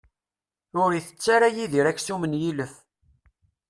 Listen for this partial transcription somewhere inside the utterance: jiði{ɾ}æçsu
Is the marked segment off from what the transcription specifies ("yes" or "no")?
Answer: no